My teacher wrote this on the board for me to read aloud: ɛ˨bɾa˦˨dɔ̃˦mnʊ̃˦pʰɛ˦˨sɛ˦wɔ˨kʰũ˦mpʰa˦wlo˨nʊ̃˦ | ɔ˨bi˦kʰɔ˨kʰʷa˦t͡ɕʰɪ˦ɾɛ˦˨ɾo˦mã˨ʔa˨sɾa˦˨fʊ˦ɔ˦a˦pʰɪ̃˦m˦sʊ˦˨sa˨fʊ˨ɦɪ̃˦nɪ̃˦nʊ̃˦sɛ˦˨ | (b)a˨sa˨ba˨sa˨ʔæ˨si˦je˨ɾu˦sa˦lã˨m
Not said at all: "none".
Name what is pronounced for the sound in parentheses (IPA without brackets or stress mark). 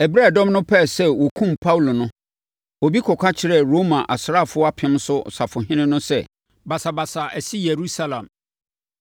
b